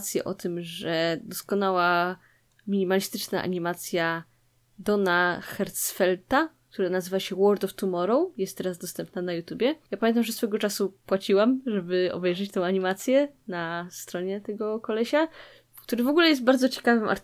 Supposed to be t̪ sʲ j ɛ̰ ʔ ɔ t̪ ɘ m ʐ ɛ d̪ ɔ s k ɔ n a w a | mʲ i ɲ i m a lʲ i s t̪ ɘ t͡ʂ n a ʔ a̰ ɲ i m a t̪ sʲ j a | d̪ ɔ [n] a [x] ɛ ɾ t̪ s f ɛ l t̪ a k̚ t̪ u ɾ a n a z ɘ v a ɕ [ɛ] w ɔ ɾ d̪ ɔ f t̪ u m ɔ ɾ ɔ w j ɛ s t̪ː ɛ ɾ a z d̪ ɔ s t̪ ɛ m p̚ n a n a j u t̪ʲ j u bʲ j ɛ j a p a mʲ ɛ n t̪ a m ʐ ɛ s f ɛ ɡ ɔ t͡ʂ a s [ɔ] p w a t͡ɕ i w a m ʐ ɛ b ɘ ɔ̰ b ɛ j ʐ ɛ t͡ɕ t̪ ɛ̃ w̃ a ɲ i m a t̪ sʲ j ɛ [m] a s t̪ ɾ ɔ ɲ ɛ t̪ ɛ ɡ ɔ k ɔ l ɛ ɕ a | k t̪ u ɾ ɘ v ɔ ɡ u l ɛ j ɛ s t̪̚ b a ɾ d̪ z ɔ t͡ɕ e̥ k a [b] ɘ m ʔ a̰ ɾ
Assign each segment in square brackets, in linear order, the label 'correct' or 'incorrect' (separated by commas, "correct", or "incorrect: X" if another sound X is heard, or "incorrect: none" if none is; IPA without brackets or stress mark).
correct, correct, correct, incorrect: u, incorrect: n, incorrect: v